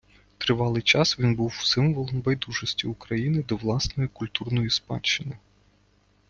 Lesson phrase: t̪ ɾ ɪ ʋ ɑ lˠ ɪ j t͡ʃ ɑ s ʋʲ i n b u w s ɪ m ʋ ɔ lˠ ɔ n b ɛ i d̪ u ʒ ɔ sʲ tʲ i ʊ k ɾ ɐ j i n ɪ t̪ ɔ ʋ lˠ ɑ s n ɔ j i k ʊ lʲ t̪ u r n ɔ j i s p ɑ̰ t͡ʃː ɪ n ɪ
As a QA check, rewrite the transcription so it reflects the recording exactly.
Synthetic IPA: t̪ ɾ ɪ ʋ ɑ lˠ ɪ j t͡ʃ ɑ s ʋʲ i n b u w s ɪ m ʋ ɔ lˠ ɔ n b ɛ j d̪ u ʒ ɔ sʲ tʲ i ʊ k ɾ ɐ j i n ɪ d̪ ɔ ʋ lˠ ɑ s n ɔ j i k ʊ lʲ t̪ u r n ɔ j i s p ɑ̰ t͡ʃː ɪ n ɪ